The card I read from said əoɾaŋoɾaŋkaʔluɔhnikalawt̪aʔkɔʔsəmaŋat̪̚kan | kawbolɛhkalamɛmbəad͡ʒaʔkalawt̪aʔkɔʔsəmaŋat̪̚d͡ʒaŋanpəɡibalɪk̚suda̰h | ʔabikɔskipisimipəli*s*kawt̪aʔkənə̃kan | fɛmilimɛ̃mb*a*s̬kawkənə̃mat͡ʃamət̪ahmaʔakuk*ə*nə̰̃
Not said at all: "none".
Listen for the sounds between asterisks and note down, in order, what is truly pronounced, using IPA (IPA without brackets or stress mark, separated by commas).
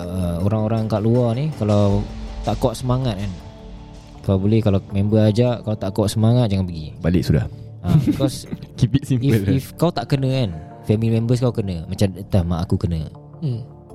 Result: f, ə, ə